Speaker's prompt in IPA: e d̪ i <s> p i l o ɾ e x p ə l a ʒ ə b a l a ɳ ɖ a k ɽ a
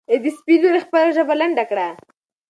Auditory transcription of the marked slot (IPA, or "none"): s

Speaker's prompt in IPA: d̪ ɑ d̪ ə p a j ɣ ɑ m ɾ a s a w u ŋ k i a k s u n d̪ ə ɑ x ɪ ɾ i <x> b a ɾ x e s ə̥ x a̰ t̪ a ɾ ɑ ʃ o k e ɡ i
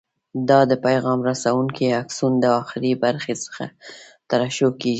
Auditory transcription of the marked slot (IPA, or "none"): none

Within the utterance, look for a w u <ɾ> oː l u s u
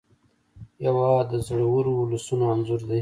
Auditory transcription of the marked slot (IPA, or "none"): ɾ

